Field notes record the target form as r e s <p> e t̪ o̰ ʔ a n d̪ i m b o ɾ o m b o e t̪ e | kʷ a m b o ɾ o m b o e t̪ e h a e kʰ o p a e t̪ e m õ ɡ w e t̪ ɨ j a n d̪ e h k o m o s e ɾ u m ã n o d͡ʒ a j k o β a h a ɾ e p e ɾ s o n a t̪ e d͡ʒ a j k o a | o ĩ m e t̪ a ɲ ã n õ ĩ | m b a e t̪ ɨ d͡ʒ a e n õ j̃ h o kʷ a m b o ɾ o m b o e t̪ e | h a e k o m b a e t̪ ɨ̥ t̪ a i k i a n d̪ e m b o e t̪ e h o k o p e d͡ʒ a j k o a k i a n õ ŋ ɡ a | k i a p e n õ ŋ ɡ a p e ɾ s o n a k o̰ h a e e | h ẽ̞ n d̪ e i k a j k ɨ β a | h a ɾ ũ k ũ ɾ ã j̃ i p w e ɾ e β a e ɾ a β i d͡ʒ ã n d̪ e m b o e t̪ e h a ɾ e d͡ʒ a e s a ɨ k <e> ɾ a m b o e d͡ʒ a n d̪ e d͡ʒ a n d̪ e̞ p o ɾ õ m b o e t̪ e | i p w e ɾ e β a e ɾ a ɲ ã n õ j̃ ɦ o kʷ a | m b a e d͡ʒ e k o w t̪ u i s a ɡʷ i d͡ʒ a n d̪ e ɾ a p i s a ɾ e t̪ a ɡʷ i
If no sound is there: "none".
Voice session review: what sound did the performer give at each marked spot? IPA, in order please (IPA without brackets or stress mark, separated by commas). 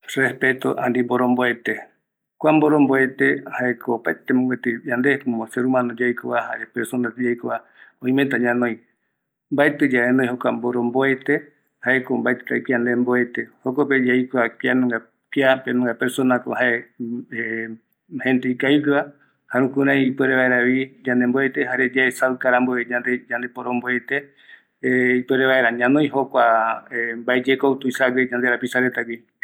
p, a